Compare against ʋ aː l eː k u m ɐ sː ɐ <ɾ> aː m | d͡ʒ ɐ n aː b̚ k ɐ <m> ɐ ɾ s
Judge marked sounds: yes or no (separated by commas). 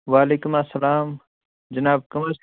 no, yes